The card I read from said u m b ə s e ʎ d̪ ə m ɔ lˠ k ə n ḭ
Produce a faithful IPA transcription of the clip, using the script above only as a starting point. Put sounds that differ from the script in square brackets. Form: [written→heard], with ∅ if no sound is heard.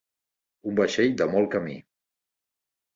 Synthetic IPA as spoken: u m b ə [s→ʃ] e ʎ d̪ ə m ɔ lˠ k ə [n→m] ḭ